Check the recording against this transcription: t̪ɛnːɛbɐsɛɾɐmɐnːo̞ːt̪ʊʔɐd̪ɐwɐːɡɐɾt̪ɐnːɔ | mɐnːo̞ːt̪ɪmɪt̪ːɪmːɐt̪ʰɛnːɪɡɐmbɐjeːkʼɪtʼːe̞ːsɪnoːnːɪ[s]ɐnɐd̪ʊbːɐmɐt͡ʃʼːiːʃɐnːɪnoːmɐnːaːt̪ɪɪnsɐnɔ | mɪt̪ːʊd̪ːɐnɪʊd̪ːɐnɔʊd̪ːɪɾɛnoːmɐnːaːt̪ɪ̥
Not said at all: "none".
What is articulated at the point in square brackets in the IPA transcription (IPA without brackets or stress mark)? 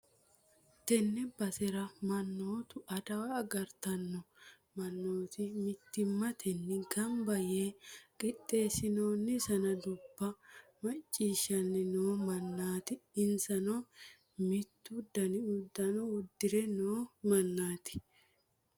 s